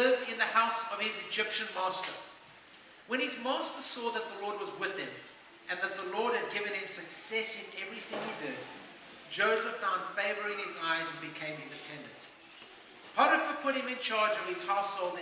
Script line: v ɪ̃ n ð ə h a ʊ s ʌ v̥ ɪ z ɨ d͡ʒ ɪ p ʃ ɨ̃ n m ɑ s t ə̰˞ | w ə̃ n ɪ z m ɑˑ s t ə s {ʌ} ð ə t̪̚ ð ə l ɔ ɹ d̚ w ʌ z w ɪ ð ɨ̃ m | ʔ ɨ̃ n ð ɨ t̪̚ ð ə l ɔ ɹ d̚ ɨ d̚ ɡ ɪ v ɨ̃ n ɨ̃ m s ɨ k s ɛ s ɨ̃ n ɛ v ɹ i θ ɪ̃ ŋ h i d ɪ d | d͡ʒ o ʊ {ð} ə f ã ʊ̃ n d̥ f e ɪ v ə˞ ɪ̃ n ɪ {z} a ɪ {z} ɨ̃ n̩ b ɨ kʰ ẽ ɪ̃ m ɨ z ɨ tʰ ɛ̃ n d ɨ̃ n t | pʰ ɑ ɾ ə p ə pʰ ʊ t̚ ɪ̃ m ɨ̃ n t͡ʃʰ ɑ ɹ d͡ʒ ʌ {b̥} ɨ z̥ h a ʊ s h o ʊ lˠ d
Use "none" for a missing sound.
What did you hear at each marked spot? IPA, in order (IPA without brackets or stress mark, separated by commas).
ɔ, z, z, z, v̥